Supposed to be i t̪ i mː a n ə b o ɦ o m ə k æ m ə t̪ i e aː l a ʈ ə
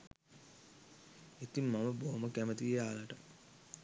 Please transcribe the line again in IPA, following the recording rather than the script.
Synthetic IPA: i t̪ i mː a m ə b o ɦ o m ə k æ m ə t̪ i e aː l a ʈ ə

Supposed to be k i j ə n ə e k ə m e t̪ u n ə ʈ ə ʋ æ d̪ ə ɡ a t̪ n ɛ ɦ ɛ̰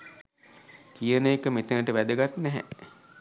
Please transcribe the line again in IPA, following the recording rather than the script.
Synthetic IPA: k i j ə n ə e k ə m e t̪ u n ə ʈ ə ʋ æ d̪ ə ɡ a t̪ n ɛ ɦ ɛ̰

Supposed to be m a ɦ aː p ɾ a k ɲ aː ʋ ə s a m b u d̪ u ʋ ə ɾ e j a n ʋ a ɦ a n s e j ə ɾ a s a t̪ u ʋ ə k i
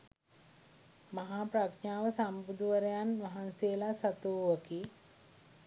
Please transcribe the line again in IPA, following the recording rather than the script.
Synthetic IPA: m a ɦ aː p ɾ a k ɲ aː ʋ ə s a m b u d̪ u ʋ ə ɾ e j a n ʋ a ɦ a n s e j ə l a s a t̪ u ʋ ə k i

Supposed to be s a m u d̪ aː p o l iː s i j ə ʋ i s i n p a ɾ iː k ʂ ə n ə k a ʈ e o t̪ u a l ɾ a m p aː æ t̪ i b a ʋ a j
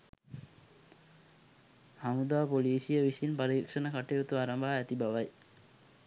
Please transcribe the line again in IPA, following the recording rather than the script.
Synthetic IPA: h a m u d̪ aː p o l iː s i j ə ʋ i s i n p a ɾ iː k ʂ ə n ə k a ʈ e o t̪ u a ɾ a m b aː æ t̪ i b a ʋ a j

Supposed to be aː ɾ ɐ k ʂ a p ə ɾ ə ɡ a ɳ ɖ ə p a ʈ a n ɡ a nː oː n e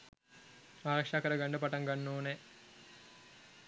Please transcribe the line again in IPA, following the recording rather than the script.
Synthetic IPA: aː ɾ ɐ k ʂ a k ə ɾ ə ɡ a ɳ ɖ ə p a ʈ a ŋ ɡ a nː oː n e

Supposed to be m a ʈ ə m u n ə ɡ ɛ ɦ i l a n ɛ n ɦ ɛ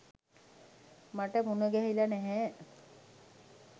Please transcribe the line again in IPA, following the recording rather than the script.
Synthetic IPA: m a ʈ ə m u n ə ɡ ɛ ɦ i l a n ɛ ɦ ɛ

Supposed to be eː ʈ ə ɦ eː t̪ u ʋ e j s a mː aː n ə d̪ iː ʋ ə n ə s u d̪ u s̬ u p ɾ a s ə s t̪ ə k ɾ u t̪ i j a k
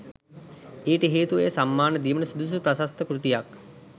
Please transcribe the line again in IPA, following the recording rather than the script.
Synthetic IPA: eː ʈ ə ɦ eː t̪ u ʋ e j s a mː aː n ə d̪ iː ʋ ə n ə s u d̪ u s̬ u p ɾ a s a s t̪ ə k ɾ u t̪ i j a k

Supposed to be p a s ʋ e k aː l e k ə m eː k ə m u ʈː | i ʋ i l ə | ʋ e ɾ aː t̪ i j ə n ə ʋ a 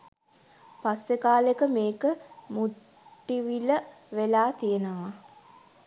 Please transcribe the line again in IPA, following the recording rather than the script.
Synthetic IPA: p a s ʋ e k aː l e k ə m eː k ə m u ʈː | i ʋ i l ə | ʋ e l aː t̪ i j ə n ə ʋ a

